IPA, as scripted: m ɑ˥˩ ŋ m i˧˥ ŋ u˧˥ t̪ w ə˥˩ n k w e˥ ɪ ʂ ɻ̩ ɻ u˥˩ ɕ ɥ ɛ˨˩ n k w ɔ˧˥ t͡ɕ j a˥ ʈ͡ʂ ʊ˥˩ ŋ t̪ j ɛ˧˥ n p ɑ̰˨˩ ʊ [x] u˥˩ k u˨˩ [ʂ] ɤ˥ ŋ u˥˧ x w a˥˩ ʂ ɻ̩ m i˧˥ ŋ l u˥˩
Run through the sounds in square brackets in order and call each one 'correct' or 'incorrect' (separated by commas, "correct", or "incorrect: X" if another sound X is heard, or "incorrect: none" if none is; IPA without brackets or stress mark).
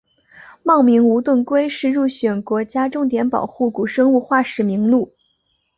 correct, correct